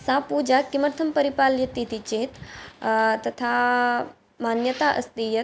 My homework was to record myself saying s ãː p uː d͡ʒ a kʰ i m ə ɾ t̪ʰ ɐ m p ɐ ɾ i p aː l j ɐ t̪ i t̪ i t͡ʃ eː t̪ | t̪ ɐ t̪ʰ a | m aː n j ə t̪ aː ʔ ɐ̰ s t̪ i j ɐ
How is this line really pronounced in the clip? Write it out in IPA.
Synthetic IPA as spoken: s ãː p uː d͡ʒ a k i m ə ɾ t̪ʰ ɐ m p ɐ ɾ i p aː l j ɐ t̪ i t̪ i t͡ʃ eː t̪ | t̪ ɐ t̪ʰ a | m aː n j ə t̪ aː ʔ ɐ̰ s t̪ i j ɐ